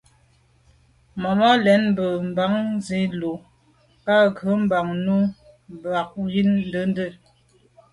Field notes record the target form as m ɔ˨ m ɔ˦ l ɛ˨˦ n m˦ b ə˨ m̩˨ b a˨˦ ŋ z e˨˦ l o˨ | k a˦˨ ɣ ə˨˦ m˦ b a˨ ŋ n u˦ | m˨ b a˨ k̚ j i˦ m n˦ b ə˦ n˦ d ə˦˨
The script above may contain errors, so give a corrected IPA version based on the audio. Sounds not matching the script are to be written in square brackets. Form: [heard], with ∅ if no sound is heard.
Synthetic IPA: m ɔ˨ m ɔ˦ l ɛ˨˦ n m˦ b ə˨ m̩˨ b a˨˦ ŋ z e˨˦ l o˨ | k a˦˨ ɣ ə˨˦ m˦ b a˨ ŋ n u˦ | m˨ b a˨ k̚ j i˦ [n] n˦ [d] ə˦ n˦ d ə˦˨